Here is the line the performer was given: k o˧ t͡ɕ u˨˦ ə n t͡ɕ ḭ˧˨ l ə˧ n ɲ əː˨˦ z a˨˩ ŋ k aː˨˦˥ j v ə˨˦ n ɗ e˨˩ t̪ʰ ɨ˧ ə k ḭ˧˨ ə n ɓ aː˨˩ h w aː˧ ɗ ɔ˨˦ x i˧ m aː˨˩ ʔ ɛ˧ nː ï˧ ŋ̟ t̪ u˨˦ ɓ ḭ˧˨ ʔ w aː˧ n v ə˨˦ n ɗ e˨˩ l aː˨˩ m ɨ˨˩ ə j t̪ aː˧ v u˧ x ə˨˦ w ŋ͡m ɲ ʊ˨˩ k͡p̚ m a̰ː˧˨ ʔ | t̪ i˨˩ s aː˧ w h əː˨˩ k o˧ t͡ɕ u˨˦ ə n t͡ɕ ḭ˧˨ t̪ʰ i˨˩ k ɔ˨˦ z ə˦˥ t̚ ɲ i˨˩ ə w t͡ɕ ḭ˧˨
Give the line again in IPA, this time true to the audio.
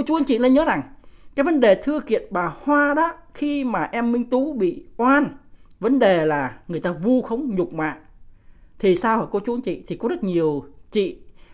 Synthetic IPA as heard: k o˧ t͡ɕ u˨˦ ə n t͡ɕ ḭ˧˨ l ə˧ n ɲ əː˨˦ z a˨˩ ŋ k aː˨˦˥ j v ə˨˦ n ɗ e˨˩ t̪ʰ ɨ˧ ə k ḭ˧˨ ə n ɓ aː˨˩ h w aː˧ ɗ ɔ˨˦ x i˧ m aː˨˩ ʔ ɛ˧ mː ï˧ ŋ̟ t̪ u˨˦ ɓ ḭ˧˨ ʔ w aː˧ n v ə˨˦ n ɗ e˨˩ l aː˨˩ ŋ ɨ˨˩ ə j t̪ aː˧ v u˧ x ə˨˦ w ŋ͡m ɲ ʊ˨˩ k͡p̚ m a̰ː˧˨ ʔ | t̪ʰ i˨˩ s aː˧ w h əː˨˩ k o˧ t͡ɕ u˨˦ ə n t͡ɕ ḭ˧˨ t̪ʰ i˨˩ k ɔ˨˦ z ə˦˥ t̚ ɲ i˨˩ ə w t͡ɕ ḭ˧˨